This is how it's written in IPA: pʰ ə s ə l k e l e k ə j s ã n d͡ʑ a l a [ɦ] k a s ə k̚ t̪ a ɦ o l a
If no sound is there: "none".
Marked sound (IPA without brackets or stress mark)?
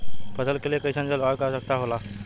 none